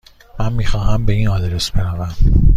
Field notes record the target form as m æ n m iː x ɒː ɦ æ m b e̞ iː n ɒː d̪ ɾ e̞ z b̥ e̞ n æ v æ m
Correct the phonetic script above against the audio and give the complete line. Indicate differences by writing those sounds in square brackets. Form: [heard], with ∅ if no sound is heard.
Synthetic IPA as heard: m æ n m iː x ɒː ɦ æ m b e̞ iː n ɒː d̪ ɾ e̞ [s] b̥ e̞ n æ v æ m